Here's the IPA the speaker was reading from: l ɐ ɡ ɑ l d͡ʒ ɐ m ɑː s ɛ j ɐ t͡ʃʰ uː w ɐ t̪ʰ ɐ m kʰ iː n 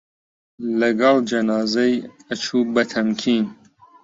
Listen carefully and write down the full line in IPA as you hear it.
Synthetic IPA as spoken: l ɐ ɡ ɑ l d͡ʒ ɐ n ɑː z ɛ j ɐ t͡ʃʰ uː b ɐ t̪ʰ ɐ m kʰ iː n